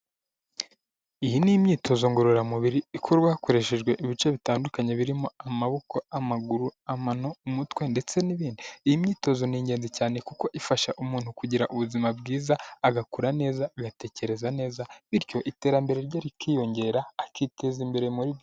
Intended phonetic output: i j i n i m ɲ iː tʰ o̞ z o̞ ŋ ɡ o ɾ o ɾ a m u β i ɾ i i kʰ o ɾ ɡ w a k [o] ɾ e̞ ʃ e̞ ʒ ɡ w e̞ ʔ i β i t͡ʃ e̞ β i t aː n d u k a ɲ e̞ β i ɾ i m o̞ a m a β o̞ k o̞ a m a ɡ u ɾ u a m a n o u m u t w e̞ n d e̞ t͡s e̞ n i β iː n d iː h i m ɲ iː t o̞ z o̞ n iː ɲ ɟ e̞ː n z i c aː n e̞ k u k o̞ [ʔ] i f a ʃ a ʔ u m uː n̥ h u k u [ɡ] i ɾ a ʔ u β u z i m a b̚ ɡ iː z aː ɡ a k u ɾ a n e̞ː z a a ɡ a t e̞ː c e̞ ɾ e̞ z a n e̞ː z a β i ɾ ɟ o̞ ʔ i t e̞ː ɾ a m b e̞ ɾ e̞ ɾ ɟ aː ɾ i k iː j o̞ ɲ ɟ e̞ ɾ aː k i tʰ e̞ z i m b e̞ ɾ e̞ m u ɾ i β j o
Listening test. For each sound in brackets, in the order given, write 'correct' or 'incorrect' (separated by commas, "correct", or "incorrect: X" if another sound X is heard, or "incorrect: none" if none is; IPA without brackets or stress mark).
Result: correct, correct, incorrect: ɟ